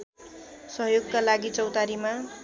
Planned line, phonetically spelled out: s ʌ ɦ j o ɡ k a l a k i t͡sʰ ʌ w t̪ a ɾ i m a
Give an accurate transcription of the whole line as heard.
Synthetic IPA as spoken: s ʌ ɦ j o ɡ k a l a ɡ i t͡s ʌ w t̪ a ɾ i m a